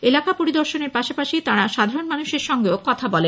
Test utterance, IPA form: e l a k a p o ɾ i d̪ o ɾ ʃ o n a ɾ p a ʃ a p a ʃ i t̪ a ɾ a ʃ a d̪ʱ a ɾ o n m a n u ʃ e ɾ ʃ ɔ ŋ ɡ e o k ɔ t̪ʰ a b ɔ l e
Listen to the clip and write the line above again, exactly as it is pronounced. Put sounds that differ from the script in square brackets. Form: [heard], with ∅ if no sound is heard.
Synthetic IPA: e l a k a p o ɾ i d̪ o ɾ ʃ o n [e] ɾ p a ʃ a p a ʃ i t̪ a ɾ a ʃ a d̪ʱ a ɾ o n m a n u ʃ e ɾ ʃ ɔ ŋ ɡ e o k ɔ t̪ʰ a b ɔ l e

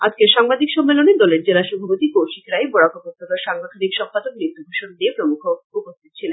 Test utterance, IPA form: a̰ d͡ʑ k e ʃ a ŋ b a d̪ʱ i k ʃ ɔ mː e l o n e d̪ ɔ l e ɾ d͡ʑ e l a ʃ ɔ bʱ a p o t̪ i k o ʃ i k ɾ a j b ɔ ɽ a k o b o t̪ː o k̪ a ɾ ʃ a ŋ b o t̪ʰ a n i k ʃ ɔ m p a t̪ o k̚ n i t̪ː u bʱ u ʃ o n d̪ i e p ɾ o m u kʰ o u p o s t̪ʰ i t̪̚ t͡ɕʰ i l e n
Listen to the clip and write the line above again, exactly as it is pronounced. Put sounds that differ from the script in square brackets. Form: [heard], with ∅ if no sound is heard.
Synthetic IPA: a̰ d͡ʑ k e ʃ a ŋ b a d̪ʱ i k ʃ ɔ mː e l o n e d̪ ɔ l e ɾ d͡ʑ e l a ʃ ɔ bʱ a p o t̪ i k o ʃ i k ɾ a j b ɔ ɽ a k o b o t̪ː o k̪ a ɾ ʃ a ŋ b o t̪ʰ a n i k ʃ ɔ m p a [d̪] o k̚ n i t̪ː u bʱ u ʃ o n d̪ i e p ɾ o m u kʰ o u p o s t̪ʰ i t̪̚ t͡ɕʰ i l e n

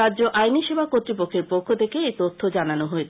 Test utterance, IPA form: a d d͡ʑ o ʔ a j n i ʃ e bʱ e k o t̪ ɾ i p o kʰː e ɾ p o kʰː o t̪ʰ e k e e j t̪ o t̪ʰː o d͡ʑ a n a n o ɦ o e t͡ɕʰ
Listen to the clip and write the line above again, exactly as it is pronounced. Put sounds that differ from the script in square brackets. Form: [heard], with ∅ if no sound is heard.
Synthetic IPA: a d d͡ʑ o ʔ a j n i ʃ e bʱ [a] k o t̪ ɾ i p o kʰː e ɾ p o kʰː o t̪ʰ e k e e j t̪ o t̪ʰː o d͡ʑ a n a n o ɦ o e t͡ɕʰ

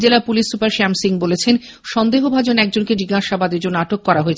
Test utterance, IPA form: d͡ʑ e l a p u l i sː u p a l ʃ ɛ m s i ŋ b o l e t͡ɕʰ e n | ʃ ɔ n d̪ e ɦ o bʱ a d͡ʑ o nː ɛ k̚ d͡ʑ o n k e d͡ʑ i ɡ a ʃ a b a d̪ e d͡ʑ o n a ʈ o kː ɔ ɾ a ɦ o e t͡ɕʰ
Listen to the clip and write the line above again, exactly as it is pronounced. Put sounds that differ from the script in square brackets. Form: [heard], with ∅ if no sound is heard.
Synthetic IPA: d͡ʑ e l a p u l i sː u p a [ɾ] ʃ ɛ m s i ŋ b o l e t͡ɕʰ e n | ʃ ɔ n d̪ e ɦ o bʱ a d͡ʑ o [n] ɛ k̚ d͡ʑ o n k e d͡ʑ i ɡ a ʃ a b a d̪ e d͡ʑ o n a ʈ o kː ɔ ɾ a ɦ o e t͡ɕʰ

